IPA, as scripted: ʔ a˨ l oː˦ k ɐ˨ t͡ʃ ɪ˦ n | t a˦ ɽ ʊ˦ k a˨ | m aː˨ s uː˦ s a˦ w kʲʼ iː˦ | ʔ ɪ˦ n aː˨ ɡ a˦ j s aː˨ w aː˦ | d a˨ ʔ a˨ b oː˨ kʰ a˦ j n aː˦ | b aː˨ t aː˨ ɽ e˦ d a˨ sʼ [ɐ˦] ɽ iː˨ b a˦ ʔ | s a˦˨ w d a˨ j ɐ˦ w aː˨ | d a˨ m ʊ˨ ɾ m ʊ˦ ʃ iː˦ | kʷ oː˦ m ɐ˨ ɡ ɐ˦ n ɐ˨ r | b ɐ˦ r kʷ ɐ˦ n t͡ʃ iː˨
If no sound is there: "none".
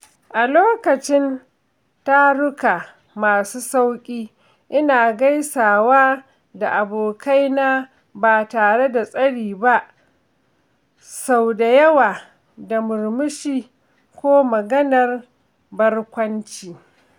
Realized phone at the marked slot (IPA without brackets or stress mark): ɐ˦